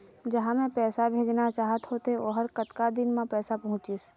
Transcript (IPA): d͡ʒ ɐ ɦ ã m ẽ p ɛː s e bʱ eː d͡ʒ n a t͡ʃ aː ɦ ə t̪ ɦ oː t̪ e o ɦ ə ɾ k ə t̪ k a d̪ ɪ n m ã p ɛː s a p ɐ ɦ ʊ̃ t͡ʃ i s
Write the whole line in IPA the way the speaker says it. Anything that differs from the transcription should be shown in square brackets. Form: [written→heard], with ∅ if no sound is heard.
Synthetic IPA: d͡ʒ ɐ ɦ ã m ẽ p ɛː s [e→a] bʱ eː d͡ʒ n a t͡ʃ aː ɦ ə t̪ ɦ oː t̪ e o ɦ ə ɾ k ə t̪ k a d̪ ɪ n m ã p ɛː s a p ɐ ɦ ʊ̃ t͡ʃ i s